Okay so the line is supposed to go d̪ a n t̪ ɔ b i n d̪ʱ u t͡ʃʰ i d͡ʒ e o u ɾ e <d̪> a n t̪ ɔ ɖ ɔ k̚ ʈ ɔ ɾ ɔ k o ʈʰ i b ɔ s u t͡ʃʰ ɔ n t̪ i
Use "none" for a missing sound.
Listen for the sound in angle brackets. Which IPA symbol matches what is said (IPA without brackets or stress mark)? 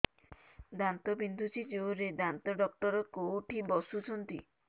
d̪